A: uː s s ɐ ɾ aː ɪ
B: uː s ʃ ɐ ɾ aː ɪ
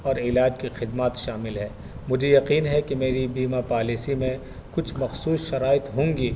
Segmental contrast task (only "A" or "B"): B